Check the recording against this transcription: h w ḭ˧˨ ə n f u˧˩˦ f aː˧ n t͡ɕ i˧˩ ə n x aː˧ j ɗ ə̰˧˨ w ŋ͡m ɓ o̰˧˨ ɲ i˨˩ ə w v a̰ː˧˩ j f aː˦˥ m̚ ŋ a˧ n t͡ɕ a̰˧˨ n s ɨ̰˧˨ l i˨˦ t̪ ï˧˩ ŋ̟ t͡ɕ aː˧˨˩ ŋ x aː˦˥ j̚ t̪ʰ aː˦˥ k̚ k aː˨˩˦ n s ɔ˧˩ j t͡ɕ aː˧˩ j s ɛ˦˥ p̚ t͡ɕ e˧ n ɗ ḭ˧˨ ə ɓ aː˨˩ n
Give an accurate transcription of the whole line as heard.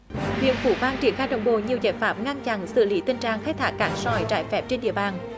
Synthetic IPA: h w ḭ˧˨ ə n f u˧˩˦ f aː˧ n t͡ɕ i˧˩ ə n x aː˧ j ɗ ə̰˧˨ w ŋ͡m ɓ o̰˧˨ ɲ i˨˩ ə w z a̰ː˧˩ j f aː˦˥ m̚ ŋ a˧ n t͡ɕ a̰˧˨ n s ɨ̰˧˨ l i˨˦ t̪ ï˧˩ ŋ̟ t͡ɕ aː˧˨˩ ŋ x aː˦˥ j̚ t̪ʰ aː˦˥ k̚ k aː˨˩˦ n s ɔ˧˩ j t͡ɕ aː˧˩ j f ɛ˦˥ p̚ t͡ɕ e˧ n ɗ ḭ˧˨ ə ɓ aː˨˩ n